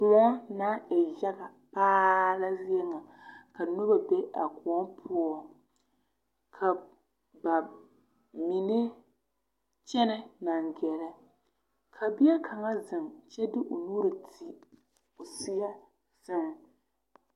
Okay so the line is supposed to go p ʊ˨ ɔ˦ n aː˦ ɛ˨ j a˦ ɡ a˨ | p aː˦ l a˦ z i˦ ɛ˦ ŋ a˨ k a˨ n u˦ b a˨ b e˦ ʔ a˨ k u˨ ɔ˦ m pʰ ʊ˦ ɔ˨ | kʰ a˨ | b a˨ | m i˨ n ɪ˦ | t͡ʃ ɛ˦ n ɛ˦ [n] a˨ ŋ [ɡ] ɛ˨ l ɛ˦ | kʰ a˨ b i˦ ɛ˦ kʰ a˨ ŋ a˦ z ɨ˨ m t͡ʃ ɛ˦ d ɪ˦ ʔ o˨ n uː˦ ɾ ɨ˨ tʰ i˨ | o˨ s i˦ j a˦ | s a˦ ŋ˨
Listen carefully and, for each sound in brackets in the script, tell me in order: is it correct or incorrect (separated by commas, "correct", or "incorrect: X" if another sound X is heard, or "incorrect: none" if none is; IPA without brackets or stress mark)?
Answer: correct, correct